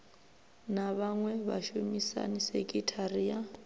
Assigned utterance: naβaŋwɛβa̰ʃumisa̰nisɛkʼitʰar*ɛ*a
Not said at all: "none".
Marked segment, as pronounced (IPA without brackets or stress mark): i